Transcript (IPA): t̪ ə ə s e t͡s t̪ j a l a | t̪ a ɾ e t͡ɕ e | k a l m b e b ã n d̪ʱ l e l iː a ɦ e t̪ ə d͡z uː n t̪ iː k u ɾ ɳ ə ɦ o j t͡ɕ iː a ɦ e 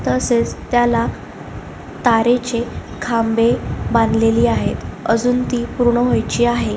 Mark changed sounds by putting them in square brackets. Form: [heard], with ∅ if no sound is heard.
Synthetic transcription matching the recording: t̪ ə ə s e t͡s t̪ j a l a | t̪ a ɾ e t͡ɕ e | [kʰ] a [∅] m b e b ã n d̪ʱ l e l iː a ɦ e t̪ ə d͡z uː n t̪ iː [p] u ɾ ɳ ə ɦ o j t͡ɕ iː a ɦ e